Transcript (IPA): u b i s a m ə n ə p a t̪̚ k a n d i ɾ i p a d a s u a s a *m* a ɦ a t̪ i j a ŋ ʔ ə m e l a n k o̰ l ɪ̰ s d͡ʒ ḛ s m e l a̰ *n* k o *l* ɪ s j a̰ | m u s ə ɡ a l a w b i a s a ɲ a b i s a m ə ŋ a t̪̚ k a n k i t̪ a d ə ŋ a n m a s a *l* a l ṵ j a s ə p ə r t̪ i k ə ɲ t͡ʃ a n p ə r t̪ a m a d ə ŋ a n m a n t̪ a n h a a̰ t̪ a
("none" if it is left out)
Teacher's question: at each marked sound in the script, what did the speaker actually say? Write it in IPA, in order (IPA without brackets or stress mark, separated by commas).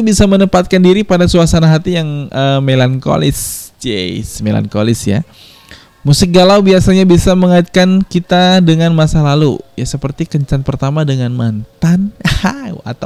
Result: n, n, l, l